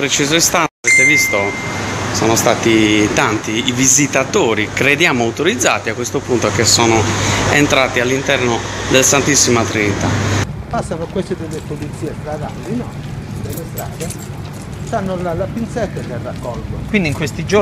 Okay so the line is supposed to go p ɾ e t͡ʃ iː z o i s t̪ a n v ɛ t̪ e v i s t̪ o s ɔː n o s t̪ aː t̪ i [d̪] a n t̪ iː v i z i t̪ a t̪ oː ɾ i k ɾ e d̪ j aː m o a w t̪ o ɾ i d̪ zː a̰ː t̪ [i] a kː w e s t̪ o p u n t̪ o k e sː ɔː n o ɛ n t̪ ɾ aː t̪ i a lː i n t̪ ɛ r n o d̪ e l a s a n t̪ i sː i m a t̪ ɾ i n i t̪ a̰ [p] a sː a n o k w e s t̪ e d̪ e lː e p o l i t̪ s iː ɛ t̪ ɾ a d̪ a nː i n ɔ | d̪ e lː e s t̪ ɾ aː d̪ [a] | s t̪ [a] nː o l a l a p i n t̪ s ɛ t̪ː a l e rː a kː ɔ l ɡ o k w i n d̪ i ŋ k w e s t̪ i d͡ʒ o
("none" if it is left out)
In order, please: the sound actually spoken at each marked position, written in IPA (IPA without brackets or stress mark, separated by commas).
t̪, i, p, e, a